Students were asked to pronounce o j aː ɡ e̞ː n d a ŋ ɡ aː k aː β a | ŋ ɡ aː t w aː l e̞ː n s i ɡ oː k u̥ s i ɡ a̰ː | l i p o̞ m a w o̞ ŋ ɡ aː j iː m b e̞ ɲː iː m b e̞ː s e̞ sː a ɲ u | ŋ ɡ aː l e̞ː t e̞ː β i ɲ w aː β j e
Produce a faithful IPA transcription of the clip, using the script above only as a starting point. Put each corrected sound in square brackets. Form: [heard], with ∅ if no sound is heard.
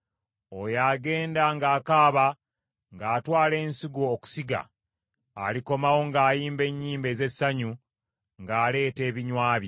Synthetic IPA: o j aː ɡ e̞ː n d a ŋ ɡ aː k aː β a | ŋ ɡ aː t w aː l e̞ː n s i ɡ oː k u̥ s i ɡ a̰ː | l i [k] o̞ m a w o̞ ŋ ɡ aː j iː m b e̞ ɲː iː m b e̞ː [z] e̞ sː a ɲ u | ŋ ɡ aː l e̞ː t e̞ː β i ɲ w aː β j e

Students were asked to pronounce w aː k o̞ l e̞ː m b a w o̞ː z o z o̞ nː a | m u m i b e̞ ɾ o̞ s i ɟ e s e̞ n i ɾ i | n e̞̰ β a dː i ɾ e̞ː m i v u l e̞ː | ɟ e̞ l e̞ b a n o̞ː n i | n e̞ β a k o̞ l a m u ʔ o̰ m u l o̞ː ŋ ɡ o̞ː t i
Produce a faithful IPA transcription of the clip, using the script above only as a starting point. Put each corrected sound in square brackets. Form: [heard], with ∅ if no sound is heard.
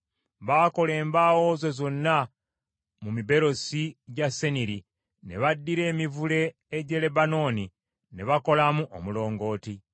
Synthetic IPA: [β] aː k o̞ l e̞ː m b a w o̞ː z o z o̞ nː a | m u m i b e̞ ɾ o̞ s i ɟ [a] s e̞ n i ɾ i | n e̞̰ β a dː i ɾ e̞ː m i v u l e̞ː | ɟ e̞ l e̞ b a n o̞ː n i | n e̞ β a k o̞ l a m u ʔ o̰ m u l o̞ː ŋ ɡ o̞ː t i

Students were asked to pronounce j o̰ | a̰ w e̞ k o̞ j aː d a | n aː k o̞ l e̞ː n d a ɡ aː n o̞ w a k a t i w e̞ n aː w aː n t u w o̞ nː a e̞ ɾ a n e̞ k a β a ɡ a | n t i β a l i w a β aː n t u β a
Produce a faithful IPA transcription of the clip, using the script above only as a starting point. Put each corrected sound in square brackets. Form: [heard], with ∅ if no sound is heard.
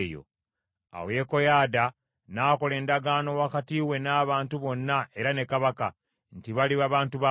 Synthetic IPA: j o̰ | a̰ w e̞ k o̞ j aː d a | n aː k o̞ l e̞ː n d a ɡ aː n o̞ w a k a t i w e̞ n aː [β] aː n t u [β] o̞ nː a e̞ ɾ a n e̞ k a β a [k] a | n t i β a l i [β] a β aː n t u β a

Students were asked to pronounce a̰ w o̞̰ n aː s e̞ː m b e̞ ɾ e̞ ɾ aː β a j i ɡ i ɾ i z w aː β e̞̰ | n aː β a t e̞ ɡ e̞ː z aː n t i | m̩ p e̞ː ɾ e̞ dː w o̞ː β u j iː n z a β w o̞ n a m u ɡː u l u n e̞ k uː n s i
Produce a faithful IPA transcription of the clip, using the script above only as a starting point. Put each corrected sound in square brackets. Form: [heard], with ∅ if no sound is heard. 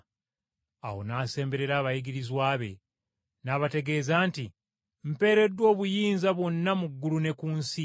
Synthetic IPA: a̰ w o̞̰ n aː s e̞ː m b e̞ ɾ e̞ ɾ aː β a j i ɡ i ɾ i z w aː β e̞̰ | n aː β a t e̞ ɡ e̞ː z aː n t i | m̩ p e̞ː ɾ e̞ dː w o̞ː β u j iː n z a β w o̞ [nː] a m u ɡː u l u n e̞ k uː n s i

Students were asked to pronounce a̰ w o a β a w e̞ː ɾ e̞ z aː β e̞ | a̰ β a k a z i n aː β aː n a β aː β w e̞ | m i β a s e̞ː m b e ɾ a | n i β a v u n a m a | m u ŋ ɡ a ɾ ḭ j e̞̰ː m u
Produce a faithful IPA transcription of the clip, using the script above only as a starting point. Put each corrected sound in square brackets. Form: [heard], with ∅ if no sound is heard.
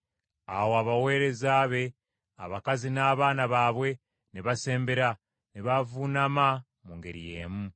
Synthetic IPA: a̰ w o a β a w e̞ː ɾ e̞ z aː β e̞ | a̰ β a k a z i n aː β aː n a β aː β w e̞ | [n] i β a s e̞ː m b e ɾ a | n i β a v u n a m a | m u ŋ ɡ [e] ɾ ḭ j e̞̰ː m u

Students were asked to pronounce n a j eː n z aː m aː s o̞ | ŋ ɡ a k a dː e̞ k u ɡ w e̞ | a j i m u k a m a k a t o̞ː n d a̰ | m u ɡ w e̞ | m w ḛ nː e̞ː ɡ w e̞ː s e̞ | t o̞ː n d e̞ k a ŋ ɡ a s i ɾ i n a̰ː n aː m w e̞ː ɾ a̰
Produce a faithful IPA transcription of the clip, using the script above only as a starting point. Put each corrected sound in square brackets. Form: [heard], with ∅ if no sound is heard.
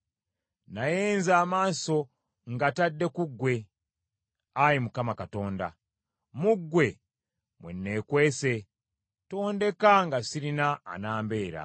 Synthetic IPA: n a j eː n z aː m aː s o̞ | ŋ ɡ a [t] a dː e̞ k u ɡ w e̞ | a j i m u k a m a k a t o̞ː n d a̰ | m u ɡ w e̞ | m w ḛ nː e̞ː [k] w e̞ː s e̞ | t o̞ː n d e̞ k a ŋ ɡ a s i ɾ i n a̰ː n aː m [b] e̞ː ɾ a̰

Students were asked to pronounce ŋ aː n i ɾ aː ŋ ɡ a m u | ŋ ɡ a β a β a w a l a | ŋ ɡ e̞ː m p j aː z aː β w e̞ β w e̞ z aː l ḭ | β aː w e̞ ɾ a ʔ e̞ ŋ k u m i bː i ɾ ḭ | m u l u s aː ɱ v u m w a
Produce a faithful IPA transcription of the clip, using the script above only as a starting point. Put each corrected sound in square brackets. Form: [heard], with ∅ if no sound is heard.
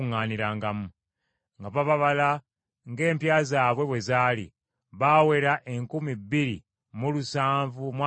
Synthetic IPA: ŋ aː n i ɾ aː ŋ ɡ a m u | ŋ ɡ a β a β a [β] a l a | ŋ ɡ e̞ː m p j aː z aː β w e̞ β w e̞ z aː l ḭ | β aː w e̞ ɾ a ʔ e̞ ŋ k u m i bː i ɾ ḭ | m u l u s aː ɱ v u m w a

